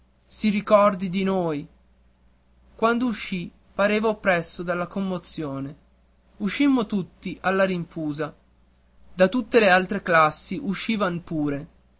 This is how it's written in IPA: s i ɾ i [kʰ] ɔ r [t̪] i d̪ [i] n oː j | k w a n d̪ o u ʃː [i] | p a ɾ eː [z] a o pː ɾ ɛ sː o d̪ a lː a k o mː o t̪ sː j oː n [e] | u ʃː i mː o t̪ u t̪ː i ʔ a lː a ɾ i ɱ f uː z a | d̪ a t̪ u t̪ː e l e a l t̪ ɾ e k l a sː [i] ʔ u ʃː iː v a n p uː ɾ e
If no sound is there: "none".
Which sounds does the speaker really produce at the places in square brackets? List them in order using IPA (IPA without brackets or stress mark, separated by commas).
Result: k, d̪, i, i, v, e, i